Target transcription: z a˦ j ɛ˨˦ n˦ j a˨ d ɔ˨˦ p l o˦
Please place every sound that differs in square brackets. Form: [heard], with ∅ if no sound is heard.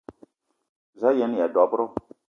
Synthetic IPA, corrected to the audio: z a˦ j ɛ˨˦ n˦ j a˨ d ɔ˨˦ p [ɾ] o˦